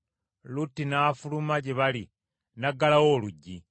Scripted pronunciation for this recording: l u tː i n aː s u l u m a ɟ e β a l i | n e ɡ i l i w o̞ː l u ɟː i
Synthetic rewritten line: l u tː i n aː f u l u m a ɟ e β a l i | n a ɡ a l a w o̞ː l u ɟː i